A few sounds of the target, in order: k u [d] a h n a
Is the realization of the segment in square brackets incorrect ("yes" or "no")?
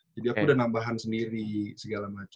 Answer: no